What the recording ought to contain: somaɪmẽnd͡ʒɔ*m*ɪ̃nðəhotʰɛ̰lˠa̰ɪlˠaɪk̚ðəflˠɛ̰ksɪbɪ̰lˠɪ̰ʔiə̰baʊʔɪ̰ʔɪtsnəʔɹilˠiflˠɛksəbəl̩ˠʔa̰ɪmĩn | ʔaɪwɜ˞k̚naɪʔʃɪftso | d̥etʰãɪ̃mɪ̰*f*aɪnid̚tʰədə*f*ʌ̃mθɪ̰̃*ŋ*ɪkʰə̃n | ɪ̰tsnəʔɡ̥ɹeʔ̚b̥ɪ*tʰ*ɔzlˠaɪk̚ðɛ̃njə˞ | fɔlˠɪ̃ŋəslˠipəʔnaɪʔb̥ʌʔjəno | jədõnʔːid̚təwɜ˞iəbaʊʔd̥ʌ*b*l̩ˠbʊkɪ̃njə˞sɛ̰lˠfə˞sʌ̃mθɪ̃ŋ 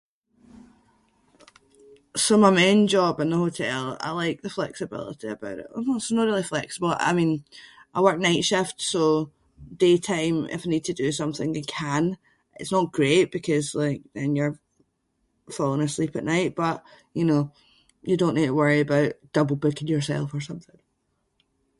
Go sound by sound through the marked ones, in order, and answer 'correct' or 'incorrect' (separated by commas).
incorrect, correct, incorrect, correct, incorrect, correct